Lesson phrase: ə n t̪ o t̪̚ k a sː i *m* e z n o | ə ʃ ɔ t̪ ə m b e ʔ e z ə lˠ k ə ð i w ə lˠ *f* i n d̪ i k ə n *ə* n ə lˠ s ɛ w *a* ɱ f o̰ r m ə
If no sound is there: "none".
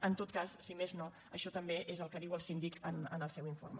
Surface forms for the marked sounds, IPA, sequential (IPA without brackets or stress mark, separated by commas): m, s, ə, i